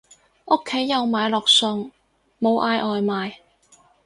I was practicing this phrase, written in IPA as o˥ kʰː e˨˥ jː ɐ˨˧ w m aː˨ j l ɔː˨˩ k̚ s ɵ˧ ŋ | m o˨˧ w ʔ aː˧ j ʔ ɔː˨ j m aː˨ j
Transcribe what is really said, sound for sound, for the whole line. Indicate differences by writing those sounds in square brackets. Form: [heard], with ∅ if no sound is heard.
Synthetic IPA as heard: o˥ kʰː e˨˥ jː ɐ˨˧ w m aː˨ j l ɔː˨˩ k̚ s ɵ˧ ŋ | m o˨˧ w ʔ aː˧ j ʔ ɔː˨ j m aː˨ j